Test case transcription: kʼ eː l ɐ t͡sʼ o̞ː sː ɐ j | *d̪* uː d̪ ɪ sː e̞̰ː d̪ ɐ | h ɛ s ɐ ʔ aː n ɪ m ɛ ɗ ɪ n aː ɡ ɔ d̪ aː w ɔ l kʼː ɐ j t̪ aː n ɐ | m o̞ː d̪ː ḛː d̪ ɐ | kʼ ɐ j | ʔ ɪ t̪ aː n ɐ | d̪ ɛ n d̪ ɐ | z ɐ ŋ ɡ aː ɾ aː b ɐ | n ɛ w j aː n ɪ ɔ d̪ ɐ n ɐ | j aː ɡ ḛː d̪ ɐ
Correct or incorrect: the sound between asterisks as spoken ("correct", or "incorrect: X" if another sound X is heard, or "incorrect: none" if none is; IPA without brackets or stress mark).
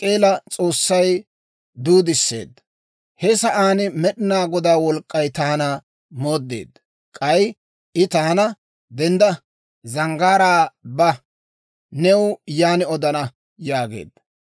correct